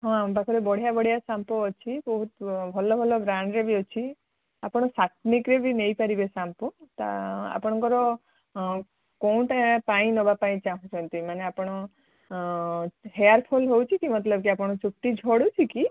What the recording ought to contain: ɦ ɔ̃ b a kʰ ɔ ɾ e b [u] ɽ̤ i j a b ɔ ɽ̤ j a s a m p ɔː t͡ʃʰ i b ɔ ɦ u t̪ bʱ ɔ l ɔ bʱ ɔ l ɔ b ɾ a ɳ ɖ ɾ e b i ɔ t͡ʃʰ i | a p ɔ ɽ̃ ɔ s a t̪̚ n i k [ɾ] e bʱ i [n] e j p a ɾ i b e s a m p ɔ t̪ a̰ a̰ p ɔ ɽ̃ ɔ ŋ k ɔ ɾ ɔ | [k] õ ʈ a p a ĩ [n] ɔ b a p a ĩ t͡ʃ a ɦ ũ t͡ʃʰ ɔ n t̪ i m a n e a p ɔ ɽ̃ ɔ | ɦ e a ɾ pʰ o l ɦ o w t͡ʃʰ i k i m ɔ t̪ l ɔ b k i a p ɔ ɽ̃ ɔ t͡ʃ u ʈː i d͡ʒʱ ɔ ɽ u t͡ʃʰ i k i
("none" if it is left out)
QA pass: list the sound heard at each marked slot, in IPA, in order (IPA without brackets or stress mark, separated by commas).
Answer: ɔ, ɾ, n, k, n